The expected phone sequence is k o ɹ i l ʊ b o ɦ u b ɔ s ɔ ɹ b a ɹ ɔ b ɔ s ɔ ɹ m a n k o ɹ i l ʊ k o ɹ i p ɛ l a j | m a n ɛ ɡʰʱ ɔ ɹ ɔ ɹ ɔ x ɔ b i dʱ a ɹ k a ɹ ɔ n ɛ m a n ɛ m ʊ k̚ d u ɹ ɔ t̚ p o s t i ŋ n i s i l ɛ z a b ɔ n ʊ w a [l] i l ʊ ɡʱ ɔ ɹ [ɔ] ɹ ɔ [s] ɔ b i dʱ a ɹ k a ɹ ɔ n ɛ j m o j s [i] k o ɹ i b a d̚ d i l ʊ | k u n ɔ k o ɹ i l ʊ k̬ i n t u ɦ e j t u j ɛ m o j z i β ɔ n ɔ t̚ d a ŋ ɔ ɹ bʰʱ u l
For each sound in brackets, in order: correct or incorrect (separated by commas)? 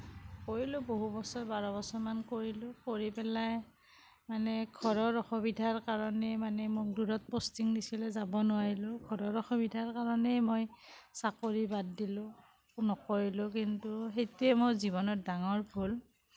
incorrect, correct, incorrect, incorrect